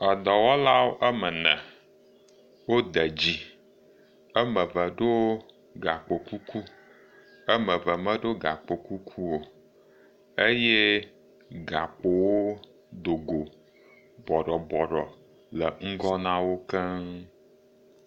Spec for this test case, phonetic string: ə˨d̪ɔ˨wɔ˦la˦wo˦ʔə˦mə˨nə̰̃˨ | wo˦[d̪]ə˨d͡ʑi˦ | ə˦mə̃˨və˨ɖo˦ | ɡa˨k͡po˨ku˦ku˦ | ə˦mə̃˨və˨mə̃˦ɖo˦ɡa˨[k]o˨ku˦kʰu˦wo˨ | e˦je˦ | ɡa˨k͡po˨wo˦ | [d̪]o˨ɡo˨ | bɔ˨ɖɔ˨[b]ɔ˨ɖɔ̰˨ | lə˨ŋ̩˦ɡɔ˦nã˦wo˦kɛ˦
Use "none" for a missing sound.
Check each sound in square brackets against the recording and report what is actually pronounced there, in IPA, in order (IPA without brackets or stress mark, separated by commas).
d̪, k͡p, d̪, b